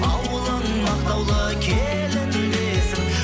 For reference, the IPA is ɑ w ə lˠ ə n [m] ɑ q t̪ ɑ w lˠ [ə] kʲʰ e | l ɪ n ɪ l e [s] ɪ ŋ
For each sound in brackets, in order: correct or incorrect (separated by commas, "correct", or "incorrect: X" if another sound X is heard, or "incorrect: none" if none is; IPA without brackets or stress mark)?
correct, correct, correct